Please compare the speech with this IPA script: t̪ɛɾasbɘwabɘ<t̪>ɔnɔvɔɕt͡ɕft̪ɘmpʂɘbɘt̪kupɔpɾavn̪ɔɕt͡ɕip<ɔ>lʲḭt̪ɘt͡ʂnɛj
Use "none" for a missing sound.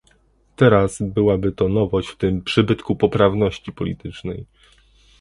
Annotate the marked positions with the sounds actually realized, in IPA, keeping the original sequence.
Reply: t̪, ɔ

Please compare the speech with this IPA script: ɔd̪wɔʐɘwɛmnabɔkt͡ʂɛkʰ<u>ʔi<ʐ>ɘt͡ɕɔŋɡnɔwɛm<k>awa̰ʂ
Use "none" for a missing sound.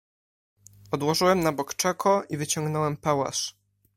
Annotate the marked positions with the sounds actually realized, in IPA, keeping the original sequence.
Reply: ɔ, v, p

